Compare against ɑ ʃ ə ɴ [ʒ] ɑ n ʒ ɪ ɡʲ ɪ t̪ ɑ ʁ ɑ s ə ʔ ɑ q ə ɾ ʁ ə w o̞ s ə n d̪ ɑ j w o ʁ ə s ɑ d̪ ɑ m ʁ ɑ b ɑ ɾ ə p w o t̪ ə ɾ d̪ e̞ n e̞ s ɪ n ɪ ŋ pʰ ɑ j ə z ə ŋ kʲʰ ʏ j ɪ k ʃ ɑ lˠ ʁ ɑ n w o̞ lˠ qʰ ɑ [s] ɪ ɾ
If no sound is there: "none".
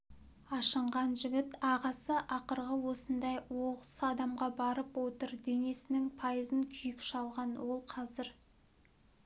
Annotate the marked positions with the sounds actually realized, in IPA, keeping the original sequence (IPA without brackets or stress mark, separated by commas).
ʁ, z